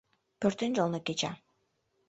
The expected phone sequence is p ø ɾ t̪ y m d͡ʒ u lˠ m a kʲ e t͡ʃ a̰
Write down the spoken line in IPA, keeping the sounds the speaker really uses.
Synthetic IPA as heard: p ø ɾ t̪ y n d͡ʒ o lˠ n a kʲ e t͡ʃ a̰